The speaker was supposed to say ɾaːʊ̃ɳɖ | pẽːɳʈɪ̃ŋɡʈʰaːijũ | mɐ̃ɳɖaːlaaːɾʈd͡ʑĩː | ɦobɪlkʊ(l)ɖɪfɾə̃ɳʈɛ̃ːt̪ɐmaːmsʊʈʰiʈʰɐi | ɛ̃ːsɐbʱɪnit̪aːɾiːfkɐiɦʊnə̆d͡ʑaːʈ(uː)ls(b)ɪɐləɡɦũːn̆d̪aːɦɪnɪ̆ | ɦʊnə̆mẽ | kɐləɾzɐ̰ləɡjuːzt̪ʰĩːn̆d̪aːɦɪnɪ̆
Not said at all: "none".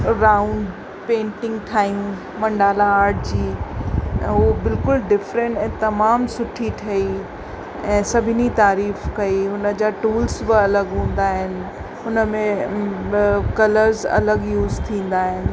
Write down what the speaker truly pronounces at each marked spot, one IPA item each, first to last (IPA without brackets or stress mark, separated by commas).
l, uː, b